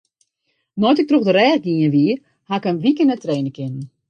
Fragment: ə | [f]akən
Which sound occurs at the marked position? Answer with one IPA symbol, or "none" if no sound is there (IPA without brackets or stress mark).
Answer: h